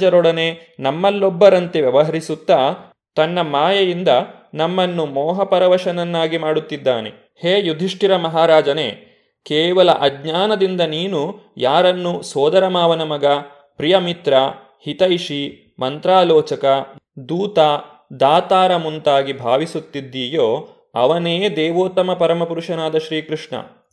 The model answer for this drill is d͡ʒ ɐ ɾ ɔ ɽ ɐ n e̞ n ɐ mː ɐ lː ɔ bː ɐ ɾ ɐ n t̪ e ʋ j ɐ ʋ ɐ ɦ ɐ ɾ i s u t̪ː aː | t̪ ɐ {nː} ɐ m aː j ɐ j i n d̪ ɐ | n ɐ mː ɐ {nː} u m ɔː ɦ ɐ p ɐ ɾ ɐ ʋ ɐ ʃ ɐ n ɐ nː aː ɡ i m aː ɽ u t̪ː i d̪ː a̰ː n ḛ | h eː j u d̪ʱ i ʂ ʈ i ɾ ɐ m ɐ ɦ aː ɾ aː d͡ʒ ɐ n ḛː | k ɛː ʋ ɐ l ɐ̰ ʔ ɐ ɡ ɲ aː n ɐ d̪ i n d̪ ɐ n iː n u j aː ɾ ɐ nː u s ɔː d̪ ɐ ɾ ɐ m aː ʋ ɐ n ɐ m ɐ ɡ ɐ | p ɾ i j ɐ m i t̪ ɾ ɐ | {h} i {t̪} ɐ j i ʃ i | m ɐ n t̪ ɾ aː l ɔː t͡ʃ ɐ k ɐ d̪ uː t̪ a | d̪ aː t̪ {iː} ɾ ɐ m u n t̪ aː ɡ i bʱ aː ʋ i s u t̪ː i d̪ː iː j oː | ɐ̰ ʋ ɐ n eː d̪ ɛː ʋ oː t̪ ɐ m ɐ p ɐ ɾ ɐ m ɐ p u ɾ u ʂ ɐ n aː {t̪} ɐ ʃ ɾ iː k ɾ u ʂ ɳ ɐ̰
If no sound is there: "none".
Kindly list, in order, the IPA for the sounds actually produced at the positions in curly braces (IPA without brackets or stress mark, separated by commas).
nː, nː, h, t̪, aː, d̪